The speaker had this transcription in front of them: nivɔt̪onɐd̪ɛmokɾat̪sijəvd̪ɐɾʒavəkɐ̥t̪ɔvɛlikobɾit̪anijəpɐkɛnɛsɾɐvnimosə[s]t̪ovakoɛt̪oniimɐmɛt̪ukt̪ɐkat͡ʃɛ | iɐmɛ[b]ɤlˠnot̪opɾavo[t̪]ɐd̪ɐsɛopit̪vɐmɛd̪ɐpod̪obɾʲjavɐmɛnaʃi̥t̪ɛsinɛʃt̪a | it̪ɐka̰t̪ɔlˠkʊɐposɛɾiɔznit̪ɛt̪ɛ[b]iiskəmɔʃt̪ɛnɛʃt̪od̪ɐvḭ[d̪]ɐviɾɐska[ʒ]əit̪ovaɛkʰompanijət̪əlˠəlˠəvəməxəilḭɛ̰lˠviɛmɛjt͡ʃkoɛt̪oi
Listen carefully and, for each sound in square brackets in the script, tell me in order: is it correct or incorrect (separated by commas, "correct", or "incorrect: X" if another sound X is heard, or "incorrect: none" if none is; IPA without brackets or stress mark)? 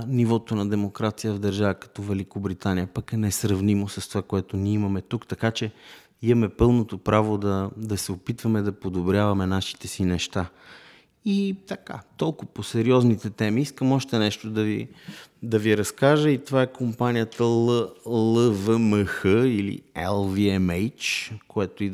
correct, incorrect: p, incorrect: d̪, incorrect: m, correct, correct